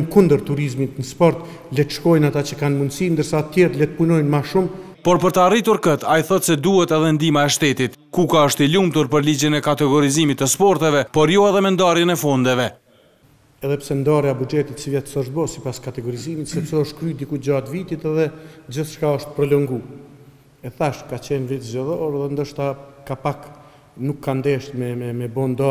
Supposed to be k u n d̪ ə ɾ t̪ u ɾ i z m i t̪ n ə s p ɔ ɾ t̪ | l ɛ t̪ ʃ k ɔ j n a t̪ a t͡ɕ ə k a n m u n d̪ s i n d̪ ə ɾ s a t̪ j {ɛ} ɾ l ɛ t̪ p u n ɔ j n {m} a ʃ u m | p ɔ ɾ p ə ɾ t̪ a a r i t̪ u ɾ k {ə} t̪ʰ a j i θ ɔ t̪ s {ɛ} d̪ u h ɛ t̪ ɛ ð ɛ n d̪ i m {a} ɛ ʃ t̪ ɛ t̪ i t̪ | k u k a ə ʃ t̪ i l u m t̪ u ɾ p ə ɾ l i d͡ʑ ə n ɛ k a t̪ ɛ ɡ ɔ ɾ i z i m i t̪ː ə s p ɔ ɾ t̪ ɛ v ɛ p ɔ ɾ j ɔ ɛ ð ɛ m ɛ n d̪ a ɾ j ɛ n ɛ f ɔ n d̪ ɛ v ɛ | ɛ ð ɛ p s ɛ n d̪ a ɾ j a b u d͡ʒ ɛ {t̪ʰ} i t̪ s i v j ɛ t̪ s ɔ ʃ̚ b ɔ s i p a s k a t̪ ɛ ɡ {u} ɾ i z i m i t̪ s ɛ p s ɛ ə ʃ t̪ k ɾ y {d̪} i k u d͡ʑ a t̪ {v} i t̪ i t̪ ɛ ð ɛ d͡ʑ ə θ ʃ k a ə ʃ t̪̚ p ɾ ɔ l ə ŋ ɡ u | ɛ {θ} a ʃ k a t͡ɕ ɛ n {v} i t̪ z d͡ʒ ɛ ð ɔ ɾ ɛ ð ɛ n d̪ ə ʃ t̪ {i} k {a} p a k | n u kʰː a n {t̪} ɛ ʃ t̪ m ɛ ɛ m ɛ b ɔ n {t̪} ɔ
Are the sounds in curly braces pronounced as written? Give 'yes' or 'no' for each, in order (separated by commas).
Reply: yes, yes, yes, yes, yes, no, no, yes, yes, yes, yes, no, yes, no, no